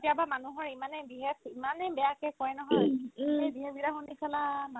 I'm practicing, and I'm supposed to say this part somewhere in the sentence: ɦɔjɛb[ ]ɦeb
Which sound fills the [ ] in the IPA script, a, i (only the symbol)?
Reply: i